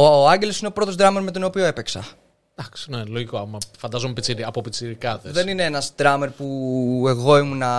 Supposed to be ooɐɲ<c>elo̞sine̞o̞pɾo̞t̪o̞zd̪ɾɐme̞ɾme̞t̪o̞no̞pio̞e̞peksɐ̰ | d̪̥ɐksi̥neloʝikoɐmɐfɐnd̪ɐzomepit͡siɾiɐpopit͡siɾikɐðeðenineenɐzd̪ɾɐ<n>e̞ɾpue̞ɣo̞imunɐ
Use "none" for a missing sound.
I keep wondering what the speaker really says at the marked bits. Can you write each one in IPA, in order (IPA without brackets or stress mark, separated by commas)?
ɟ, m